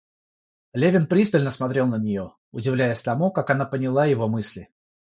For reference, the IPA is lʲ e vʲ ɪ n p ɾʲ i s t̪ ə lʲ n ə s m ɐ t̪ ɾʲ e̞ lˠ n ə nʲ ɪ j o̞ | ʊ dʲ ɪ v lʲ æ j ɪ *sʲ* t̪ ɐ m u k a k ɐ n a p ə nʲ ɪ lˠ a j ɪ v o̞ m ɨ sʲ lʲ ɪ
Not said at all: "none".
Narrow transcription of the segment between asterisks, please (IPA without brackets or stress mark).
sʲ